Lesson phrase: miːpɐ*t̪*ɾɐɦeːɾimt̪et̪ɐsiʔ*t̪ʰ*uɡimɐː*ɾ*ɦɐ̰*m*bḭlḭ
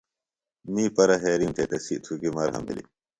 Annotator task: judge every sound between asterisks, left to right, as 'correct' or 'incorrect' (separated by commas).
incorrect, correct, correct, correct